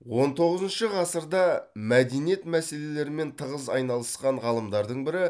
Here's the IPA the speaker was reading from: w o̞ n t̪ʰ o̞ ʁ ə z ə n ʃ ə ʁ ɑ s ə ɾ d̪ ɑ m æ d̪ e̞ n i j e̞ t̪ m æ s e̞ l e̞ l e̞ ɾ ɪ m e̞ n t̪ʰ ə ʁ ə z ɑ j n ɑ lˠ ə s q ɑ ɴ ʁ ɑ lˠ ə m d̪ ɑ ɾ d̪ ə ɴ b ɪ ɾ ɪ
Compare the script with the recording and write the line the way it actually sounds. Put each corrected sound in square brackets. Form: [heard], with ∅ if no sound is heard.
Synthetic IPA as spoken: w o̞ n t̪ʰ o̞ ʁ ə z ə n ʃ ə ʁ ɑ s ə ɾ d̪ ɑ m æ d̪ e̞ n i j e̞ t̪ m æ s e̞ l e̞ l e̞ ɾ ɪ m e̞ n t̪ʰ ə ʁ ə z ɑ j n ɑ lˠ ə s q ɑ ɴ ʁ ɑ lˠ ə m d̪ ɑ ɾ d̪ ə ɴ b ɪ ɾ ɪ